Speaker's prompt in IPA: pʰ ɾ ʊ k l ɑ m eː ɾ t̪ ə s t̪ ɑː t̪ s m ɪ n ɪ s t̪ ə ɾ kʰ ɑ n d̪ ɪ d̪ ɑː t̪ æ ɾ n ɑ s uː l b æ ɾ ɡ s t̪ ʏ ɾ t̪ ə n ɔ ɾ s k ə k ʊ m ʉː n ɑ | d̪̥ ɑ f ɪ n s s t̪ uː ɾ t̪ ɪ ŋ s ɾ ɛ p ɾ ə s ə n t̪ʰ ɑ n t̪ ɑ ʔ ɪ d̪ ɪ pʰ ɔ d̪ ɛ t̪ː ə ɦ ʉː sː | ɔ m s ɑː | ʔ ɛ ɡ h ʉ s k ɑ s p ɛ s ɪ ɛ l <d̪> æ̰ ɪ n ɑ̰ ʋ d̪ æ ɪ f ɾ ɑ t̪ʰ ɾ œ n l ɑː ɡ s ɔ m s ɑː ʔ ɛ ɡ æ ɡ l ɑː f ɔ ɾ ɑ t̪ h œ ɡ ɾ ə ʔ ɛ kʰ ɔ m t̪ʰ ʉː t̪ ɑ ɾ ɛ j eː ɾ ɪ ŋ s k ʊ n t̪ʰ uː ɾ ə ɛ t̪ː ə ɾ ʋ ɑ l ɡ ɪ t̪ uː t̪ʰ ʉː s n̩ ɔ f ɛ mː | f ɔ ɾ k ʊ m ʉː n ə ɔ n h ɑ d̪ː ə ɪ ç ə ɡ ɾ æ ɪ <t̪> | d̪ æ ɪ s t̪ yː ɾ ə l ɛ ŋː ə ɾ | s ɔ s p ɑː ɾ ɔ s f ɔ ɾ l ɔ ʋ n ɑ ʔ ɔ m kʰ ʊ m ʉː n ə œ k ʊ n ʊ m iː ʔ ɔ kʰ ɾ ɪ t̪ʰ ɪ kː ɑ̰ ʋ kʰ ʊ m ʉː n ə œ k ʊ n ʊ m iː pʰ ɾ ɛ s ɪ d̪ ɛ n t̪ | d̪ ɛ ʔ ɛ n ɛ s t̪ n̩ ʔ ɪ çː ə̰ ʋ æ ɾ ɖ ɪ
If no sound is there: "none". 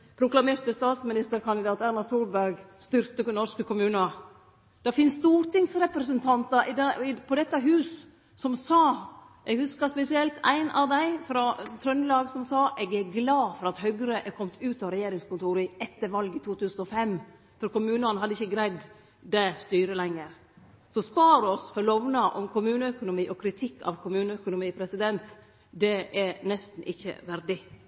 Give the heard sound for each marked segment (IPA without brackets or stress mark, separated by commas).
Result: t̪, d̪